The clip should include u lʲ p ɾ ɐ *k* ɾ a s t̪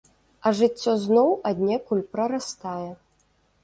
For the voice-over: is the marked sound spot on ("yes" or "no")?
no